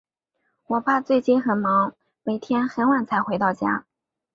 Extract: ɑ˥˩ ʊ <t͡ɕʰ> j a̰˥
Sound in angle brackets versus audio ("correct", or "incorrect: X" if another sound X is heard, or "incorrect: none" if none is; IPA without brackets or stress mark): incorrect: t͡ɕ